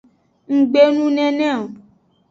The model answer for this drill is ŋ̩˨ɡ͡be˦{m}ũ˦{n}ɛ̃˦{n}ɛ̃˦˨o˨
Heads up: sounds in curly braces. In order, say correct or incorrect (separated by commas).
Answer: incorrect, correct, correct